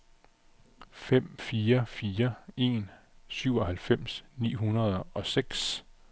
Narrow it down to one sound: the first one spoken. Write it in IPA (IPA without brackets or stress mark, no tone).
f